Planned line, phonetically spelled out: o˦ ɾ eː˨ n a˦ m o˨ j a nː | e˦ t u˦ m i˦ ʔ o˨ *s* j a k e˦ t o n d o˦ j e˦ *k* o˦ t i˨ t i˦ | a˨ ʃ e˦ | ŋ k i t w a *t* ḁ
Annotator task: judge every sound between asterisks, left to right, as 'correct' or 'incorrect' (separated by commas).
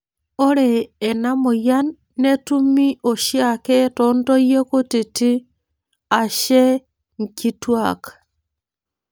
incorrect, correct, incorrect